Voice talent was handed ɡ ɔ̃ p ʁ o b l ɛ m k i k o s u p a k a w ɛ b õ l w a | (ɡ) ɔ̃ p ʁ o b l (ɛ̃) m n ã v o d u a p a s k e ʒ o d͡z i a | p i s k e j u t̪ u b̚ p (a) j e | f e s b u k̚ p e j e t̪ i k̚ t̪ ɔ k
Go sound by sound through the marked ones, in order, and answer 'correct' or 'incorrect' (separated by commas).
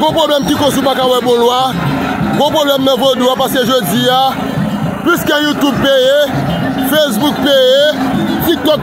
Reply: correct, incorrect, incorrect